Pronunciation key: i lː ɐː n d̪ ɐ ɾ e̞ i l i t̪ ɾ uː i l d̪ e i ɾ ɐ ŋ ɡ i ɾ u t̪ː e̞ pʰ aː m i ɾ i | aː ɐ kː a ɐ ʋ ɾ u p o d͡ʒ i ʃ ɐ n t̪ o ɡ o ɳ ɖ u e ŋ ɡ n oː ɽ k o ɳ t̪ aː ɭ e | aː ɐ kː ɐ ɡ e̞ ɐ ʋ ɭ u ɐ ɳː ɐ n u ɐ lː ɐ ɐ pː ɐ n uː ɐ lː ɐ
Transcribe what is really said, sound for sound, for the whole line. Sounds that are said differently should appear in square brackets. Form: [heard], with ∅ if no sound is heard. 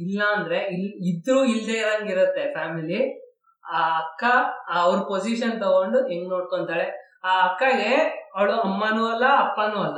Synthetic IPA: i lː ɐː n d̪ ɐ ɾ e̞ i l i [d̪] ɾ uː i l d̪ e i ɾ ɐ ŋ ɡ i ɾ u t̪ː e̞ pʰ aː m i [l] i | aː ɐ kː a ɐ ʋ ɾ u p o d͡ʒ i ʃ ɐ n t̪ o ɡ o ɳ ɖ u e ŋ ɡ n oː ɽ k o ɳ t̪ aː ɭ e | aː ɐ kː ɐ ɡ e̞ ɐ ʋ ɭ u ɐ [mː] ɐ n u ɐ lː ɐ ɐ pː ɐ n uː ɐ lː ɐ